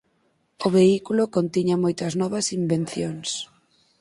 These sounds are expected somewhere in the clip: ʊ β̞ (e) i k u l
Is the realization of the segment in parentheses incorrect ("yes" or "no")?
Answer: no